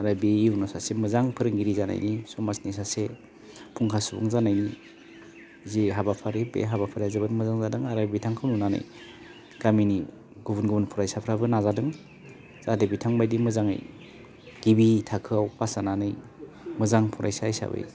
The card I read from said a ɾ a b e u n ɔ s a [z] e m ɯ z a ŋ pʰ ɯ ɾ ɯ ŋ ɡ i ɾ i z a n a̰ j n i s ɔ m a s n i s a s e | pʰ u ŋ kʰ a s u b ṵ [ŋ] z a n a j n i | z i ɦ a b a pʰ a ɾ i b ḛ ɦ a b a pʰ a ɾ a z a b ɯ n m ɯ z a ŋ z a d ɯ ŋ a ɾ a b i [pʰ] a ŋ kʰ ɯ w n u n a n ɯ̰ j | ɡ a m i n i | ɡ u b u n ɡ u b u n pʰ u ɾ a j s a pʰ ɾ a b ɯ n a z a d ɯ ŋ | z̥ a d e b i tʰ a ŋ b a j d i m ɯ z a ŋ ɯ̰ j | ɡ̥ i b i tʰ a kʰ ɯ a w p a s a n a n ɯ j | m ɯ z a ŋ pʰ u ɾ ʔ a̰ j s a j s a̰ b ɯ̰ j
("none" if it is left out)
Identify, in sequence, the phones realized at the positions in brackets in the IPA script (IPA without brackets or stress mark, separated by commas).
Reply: s, ŋ, tʰ